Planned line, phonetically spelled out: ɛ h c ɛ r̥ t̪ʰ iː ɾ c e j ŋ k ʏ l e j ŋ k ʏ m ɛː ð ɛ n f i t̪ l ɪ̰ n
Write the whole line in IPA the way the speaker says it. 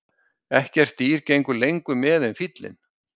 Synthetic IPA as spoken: ɛ h c ɛ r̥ t̪ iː ɾ c e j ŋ k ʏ l e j ŋ k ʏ m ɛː ð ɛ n f i t̪ l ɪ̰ n